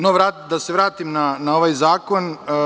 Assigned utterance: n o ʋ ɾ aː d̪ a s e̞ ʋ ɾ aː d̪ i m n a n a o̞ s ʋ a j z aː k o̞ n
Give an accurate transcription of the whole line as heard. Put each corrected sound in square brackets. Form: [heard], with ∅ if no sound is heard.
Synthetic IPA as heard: n o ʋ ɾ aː d̪ a s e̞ ʋ ɾ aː [t̪] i m n a n a o̞ [∅] ʋ a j z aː k o̞ n